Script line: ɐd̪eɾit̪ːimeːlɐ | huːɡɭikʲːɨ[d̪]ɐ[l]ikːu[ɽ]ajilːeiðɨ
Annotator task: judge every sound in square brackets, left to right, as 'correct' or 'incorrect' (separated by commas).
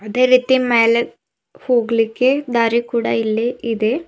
correct, incorrect, correct